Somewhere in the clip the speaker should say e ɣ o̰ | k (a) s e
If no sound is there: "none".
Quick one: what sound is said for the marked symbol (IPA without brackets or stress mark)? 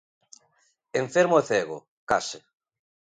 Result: a